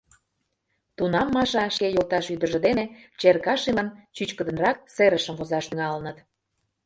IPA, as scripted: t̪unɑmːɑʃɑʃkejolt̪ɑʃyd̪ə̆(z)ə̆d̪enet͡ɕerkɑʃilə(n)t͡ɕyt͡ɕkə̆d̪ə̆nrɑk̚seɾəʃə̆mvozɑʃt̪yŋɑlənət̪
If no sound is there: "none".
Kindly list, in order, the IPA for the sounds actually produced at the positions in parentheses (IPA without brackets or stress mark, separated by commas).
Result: ʒ, n